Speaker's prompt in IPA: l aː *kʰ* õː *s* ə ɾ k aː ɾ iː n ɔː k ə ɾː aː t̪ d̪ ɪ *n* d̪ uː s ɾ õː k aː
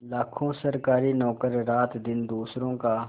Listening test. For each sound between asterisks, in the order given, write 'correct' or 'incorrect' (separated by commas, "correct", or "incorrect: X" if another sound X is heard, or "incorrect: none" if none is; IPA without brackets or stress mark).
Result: correct, correct, correct